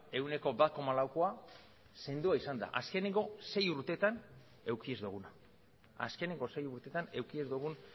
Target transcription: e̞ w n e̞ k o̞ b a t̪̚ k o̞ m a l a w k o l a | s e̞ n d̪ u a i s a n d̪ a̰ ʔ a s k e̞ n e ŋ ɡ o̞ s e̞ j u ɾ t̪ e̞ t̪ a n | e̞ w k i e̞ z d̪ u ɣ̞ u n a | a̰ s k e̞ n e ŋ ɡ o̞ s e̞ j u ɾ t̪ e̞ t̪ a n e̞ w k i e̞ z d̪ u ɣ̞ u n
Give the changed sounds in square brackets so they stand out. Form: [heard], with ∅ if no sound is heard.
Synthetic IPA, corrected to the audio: e̞ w n e̞ k o̞ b a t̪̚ k o̞ m a l a w k o [∅] a | s e̞ n d̪ u a i s a n d̪ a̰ ʔ a s k e̞ n e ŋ ɡ o̞ s e̞ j u ɾ t̪ e̞ t̪ a n | e̞ w k i e̞ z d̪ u ɣ̞ u n a | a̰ s k e̞ n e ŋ ɡ o̞ s e̞ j u ɾ t̪ e̞ t̪ a n e̞ w k i e̞ z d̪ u ɣ̞ u n